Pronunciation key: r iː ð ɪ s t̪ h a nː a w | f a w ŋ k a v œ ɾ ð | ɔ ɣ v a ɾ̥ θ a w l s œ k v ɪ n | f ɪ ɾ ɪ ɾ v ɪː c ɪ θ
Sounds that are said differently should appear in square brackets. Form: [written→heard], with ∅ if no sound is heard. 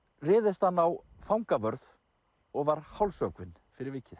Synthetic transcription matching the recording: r [iː→ɪː] ð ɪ s t̪ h a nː a w | f a w ŋ k a v œ ɾ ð | ɔ ɣ v a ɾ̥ [θ→h] a w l s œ k v ɪ n | f ɪ ɾ ɪ ɾ v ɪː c ɪ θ